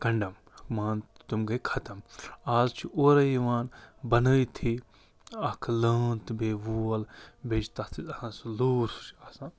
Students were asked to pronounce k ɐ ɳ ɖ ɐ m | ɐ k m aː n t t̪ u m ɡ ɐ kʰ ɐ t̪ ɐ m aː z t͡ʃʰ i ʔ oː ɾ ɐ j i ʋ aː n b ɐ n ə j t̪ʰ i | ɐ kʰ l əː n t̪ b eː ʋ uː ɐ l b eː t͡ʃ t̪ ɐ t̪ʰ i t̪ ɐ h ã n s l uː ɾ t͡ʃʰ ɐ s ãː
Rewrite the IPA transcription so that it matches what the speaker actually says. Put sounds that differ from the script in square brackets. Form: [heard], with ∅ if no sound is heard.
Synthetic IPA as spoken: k ɐ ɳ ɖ ɐ m | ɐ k m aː n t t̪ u m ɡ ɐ kʰ ɐ t̪ ɐ m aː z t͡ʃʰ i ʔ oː ɾ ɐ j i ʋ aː n b ɐ n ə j t̪ʰ i | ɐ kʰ l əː n t̪ b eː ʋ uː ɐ l b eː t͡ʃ t̪ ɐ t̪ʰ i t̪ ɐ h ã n s l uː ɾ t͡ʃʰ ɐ s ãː